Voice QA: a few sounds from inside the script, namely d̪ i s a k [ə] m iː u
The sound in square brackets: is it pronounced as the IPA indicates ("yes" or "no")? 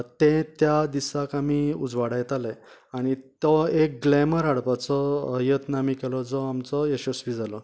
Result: no